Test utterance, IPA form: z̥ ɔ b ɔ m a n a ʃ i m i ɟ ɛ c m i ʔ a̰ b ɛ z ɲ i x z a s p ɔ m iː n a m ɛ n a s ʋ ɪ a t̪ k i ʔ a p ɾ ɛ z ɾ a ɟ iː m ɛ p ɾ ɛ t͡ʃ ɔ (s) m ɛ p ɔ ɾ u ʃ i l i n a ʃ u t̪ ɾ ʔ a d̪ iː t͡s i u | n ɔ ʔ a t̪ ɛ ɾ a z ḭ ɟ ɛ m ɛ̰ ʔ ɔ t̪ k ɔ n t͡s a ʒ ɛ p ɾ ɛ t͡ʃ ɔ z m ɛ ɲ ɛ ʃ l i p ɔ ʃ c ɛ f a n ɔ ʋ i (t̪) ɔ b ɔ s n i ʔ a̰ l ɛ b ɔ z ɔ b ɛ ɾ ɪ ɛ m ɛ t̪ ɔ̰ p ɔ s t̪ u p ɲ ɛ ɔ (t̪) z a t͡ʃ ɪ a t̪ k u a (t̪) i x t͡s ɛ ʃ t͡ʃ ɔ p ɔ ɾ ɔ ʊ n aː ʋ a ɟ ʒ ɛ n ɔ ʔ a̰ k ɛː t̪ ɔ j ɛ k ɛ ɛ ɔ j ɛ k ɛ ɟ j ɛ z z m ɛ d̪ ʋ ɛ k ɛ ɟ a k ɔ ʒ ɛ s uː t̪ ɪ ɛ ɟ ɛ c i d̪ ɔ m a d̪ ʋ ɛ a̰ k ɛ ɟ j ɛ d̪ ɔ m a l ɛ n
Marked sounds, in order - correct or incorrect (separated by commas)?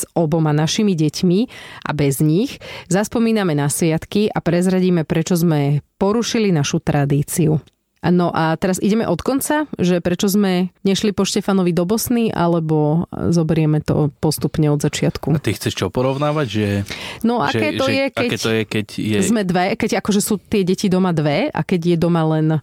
incorrect, incorrect, incorrect, correct